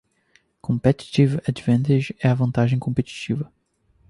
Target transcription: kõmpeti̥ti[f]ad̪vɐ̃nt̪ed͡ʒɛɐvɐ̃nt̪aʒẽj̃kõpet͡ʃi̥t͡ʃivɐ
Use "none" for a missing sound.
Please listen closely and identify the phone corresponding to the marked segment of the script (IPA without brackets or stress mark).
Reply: v